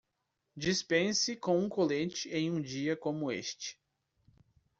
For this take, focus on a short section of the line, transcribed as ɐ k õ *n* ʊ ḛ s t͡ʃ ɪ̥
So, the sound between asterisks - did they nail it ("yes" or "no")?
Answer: no